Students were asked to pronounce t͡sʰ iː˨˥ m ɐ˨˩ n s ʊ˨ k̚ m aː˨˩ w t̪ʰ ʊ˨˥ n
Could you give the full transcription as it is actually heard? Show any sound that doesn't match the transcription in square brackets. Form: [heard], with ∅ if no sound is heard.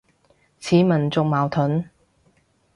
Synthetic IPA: t͡sʰ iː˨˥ m ɐ˨˩ n [t͡s] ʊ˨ k̚ m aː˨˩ w t̪ʰ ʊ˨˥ n